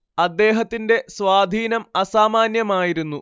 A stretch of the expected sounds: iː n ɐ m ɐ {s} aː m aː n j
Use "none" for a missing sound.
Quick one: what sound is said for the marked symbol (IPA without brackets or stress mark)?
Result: s